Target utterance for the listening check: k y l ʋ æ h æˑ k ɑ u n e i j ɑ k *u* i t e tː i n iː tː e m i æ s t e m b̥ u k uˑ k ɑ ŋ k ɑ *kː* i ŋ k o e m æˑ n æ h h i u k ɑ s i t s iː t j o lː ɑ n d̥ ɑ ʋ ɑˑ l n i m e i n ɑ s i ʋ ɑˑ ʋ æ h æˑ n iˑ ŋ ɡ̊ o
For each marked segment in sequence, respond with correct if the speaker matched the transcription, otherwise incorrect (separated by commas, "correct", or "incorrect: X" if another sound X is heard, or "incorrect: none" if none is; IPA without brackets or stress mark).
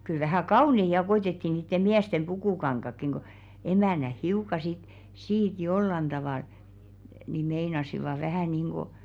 incorrect: o, correct